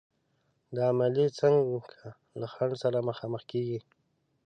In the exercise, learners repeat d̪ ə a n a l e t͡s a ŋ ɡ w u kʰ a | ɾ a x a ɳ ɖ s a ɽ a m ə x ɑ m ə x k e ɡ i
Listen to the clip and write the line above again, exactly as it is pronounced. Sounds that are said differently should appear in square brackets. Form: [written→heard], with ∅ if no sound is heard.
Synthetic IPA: d̪ ə a [n→m] a l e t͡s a ŋ ɡ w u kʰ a | [ɾ→l] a x a ɳ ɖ s a [ɽ→ɾ] a m ə x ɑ m ə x k e ɡ i